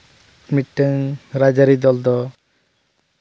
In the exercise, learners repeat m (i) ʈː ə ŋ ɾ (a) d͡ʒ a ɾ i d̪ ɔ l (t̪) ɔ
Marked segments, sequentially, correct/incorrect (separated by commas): correct, correct, incorrect